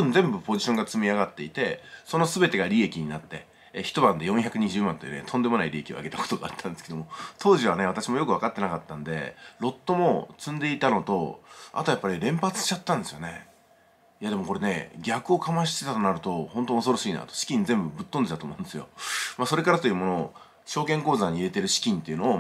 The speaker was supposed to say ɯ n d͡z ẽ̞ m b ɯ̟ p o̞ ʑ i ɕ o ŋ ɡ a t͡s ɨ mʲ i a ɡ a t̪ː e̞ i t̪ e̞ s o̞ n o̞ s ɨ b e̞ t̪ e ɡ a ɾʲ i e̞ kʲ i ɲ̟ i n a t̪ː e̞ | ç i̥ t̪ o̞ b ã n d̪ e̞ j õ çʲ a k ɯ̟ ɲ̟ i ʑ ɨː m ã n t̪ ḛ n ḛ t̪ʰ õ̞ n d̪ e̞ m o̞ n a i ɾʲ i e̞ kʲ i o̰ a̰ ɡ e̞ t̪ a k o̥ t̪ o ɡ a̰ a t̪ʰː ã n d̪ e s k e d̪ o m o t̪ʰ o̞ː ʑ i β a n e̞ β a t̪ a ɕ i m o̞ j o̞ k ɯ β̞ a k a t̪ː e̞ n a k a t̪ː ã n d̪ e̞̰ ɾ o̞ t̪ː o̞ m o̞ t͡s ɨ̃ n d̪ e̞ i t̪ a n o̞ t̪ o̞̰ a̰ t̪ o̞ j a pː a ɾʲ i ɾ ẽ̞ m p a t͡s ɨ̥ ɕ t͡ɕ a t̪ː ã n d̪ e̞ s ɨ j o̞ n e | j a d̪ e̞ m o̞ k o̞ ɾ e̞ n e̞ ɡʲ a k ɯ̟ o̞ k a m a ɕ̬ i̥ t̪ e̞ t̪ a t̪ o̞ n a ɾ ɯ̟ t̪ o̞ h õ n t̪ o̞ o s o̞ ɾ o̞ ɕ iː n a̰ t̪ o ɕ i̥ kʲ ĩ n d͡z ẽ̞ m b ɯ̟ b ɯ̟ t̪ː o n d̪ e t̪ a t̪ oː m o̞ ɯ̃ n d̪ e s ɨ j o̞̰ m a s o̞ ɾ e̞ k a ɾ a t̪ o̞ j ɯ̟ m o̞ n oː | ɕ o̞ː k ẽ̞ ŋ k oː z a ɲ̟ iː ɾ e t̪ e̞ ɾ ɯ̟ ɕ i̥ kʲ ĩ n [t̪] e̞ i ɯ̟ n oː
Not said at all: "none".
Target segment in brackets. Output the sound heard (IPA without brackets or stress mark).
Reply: t̪